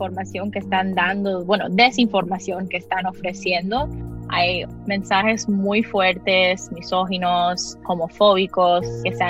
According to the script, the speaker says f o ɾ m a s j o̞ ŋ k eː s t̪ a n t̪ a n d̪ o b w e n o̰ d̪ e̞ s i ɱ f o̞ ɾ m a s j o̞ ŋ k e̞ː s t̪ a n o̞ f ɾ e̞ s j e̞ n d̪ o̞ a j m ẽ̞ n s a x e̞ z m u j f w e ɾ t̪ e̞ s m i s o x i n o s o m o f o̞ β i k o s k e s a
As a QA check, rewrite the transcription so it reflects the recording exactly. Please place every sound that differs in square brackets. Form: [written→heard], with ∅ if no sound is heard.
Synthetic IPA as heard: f o ɾ m a s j o̞ ŋ k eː s t̪ a n [t̪→d̪] a n d̪ o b w e n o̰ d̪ e̞ s i ɱ f o̞ ɾ m a s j o̞ ŋ k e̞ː s t̪ a n o̞ f ɾ e̞ s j e̞ n d̪ o̞ a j m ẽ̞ n s a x e̞ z m u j f w e ɾ t̪ e̞ s m i s o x i n o s o m o f o̞ β i k o s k e s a